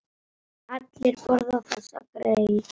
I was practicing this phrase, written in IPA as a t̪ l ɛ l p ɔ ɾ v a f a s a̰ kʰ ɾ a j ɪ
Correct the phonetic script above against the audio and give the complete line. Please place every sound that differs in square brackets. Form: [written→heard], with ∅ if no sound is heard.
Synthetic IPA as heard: a t̪ l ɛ [l→ɾ] p ɔ ɾ [v→ð] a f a s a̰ [kʰ→k] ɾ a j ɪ